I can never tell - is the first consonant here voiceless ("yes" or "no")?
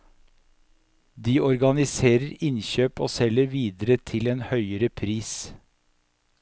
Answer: no